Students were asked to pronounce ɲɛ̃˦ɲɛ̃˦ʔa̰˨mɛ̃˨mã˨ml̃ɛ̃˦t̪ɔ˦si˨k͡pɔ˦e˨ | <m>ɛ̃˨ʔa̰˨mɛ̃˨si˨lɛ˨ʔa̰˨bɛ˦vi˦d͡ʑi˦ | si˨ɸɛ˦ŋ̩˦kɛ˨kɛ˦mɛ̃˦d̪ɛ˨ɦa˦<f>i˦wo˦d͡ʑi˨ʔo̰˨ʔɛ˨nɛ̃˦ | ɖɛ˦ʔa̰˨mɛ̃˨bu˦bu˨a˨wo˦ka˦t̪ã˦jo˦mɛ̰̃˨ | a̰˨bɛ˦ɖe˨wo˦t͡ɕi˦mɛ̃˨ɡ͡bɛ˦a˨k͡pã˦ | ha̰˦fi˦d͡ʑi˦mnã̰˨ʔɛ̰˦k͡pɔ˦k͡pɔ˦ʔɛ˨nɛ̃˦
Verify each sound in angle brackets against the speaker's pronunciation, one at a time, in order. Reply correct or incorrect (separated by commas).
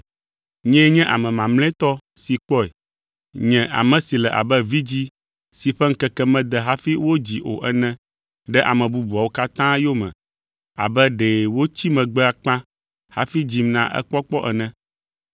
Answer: incorrect, correct